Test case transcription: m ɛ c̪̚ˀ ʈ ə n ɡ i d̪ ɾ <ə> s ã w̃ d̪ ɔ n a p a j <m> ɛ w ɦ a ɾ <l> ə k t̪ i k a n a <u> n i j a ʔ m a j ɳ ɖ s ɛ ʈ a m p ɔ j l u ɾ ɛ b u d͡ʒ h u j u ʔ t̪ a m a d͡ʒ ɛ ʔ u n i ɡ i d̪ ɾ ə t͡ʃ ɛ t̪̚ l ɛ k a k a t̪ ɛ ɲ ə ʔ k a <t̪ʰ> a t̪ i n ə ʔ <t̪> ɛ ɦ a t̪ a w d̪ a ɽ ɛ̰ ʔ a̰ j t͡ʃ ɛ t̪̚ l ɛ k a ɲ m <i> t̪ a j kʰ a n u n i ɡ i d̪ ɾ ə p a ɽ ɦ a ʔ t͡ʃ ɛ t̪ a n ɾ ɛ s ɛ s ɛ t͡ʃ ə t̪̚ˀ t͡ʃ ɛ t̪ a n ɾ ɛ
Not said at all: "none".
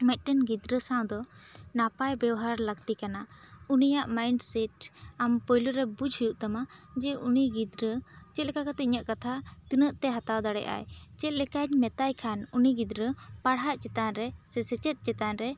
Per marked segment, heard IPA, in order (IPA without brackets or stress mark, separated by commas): ə, b, l, u, t̪ʰ, t̪, ɛ